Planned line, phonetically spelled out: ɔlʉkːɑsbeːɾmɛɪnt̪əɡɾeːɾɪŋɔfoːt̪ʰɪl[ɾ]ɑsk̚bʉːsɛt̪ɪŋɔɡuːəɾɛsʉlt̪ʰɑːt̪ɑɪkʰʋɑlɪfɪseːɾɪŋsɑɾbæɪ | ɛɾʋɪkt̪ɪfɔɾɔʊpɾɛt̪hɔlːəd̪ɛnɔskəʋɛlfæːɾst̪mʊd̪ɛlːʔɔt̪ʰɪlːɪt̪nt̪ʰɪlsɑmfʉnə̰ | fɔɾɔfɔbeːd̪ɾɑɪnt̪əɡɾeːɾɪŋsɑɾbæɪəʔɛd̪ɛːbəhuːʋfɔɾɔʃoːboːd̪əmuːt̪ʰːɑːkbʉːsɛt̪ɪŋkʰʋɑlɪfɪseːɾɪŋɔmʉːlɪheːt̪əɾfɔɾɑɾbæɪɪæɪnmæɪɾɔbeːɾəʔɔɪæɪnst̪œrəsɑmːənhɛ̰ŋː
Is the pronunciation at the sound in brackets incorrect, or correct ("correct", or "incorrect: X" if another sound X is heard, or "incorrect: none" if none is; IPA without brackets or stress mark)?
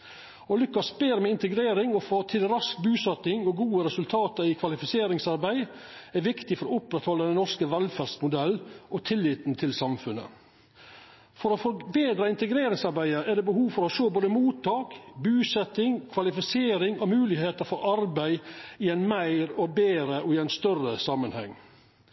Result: correct